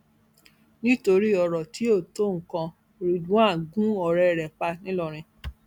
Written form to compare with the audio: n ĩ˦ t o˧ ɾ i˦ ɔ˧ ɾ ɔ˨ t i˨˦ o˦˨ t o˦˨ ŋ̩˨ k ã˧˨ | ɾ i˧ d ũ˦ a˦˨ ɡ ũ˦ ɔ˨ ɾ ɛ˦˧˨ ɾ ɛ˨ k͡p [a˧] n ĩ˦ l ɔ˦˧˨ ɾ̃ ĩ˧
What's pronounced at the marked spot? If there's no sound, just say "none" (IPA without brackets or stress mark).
a˧